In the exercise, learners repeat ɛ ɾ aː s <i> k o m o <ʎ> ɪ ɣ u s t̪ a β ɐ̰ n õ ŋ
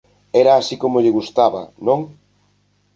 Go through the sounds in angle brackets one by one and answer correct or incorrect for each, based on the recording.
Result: correct, correct

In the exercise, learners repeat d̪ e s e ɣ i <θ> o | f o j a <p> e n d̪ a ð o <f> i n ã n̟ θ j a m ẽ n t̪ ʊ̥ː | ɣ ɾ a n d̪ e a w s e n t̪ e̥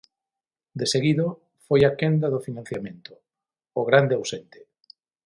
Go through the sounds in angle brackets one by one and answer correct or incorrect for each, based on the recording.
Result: incorrect, incorrect, correct

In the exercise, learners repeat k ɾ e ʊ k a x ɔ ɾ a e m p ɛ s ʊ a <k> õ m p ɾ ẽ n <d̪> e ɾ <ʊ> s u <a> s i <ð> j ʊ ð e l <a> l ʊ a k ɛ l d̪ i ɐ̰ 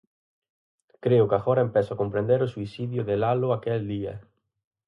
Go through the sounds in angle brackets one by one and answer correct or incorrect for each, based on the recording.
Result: correct, correct, correct, incorrect, correct, correct

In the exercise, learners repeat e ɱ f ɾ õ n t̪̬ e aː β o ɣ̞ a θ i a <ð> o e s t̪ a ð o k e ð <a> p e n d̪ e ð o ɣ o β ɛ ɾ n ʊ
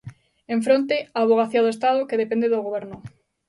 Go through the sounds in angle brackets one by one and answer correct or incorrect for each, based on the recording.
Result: correct, incorrect

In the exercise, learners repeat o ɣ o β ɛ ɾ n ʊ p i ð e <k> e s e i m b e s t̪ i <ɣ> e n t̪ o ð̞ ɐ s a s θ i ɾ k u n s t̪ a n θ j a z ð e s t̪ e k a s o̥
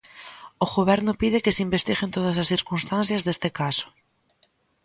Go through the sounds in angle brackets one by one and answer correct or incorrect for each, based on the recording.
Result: correct, correct

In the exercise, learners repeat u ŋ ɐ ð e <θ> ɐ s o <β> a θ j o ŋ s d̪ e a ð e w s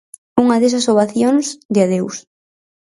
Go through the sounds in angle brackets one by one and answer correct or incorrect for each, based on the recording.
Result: incorrect, correct

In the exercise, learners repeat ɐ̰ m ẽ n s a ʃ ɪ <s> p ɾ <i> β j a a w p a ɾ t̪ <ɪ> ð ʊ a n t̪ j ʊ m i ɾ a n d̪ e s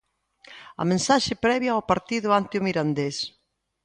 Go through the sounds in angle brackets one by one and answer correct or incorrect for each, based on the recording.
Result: incorrect, incorrect, incorrect

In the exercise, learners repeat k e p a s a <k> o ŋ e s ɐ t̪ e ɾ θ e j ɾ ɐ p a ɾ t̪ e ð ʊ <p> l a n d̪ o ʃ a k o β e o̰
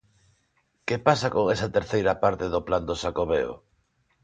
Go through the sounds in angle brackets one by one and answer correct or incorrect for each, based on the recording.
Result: correct, correct

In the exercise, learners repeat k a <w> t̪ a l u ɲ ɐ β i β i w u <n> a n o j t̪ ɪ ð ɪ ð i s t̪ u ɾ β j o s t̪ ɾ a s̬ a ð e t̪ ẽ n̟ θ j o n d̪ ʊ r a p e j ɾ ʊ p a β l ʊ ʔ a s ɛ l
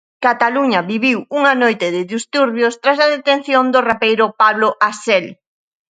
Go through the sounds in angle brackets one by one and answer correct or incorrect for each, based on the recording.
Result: incorrect, incorrect

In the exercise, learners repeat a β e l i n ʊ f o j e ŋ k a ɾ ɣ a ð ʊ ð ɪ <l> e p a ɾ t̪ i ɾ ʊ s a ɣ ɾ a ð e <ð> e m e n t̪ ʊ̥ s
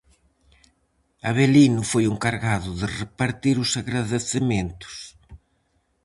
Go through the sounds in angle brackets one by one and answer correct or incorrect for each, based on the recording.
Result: incorrect, incorrect

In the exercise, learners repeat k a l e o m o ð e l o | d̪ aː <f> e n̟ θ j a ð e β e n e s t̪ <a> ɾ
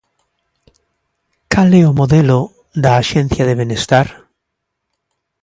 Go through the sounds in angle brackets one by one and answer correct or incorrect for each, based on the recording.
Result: incorrect, correct

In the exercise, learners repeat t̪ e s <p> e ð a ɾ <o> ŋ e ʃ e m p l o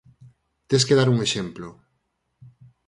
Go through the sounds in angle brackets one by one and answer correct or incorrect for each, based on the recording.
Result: incorrect, incorrect

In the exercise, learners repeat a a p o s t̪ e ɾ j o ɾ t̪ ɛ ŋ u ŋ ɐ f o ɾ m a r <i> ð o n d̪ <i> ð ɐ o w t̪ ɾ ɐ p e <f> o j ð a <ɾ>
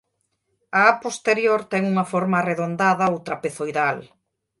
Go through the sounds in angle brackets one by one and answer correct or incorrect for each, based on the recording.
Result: incorrect, incorrect, incorrect, incorrect

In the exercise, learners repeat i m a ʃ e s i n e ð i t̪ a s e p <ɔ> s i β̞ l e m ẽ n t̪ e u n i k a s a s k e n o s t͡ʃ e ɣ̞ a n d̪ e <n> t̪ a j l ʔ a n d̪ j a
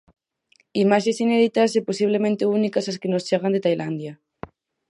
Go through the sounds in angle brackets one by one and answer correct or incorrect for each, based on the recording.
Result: incorrect, incorrect

